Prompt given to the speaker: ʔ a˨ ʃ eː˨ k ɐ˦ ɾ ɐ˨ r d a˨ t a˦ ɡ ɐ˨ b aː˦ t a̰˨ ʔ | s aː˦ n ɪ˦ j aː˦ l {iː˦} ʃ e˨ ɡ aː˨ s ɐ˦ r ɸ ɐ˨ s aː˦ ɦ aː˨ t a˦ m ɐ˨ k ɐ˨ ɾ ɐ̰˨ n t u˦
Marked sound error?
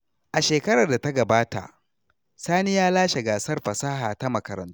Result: yes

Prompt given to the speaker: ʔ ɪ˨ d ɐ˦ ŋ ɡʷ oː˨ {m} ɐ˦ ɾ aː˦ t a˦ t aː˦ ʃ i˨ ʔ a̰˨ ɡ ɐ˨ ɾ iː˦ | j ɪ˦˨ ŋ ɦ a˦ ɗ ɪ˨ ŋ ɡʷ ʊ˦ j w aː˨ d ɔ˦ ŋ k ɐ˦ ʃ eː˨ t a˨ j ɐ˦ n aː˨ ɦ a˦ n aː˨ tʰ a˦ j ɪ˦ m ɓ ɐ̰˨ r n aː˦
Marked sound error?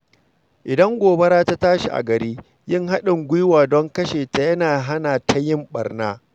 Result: yes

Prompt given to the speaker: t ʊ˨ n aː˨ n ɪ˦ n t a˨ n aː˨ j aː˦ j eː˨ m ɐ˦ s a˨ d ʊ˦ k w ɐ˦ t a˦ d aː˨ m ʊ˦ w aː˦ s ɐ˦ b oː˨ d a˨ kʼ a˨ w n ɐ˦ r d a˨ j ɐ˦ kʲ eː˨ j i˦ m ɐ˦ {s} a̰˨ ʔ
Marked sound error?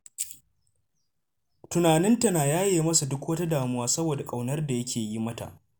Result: yes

